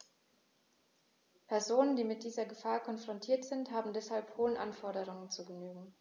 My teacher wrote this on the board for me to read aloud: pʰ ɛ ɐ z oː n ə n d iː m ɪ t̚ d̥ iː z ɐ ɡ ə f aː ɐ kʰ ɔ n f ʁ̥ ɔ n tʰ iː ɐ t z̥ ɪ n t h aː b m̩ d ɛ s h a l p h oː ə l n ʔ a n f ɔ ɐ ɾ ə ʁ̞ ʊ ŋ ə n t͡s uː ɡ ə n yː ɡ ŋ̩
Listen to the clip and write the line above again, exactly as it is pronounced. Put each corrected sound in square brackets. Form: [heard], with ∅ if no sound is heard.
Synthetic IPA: pʰ ɛ ɐ z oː n ə n d iː m ɪ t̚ d̥ iː z ɐ ɡ ə f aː ɐ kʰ ɔ n f ʁ̥ ɔ n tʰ iː ɐ t z̥ ɪ n t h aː b m̩ d ɛ s h a l p h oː ə [∅] n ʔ a n f ɔ ɐ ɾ ə ʁ̞ ʊ ŋ ə n t͡s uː ɡ ə n yː ɡ ŋ̩